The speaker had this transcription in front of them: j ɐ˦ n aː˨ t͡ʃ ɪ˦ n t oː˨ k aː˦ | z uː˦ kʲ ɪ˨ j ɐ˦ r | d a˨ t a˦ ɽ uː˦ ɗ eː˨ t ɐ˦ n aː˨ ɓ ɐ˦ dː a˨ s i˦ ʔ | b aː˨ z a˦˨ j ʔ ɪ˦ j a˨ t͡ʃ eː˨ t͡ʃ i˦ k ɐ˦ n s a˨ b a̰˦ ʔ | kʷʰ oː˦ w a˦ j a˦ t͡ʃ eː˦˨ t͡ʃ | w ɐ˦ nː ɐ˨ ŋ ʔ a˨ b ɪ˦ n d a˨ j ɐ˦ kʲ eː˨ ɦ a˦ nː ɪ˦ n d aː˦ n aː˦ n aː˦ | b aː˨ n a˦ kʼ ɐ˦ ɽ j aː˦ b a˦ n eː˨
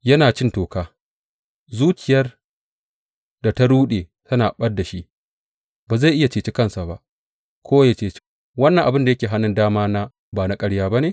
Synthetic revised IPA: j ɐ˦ n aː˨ t͡ʃ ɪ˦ n t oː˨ k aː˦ | z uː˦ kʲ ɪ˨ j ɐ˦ r | d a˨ t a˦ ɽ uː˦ ɗ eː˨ t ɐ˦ n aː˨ ɓ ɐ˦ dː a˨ ʃ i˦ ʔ | b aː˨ z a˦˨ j ʔ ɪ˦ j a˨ t͡ʃ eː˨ t͡ʃ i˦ k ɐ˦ n s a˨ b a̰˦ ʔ | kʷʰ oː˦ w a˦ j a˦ t͡ʃ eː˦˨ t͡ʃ | w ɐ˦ nː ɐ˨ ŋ ʔ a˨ b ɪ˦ n d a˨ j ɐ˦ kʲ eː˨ ɦ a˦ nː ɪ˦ n d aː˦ m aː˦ n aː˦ | b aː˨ n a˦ kʼ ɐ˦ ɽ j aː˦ b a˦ n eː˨